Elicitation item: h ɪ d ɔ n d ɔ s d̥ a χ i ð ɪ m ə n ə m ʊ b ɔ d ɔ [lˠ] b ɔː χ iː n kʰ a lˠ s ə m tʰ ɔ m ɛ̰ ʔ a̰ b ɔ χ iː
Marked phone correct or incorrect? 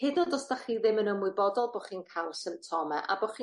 correct